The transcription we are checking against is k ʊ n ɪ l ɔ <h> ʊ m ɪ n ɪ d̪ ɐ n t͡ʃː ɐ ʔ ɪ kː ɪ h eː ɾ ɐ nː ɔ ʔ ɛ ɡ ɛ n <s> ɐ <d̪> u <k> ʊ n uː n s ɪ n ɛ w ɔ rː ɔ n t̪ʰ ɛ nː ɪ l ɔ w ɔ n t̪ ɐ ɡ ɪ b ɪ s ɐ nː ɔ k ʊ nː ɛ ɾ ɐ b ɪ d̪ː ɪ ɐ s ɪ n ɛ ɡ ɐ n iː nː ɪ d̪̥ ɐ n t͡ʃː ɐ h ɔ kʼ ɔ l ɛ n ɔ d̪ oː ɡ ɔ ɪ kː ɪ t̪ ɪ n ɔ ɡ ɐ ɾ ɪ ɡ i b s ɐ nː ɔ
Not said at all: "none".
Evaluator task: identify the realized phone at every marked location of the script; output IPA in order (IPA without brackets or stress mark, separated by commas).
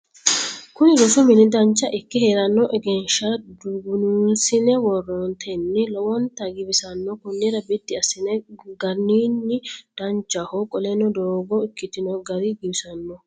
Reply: s, ʃ, d̪, ɡ